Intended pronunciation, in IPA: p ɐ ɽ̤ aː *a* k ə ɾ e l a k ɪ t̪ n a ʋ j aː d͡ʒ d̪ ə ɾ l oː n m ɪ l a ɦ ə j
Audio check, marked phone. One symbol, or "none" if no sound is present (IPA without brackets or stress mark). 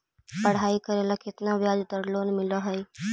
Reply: i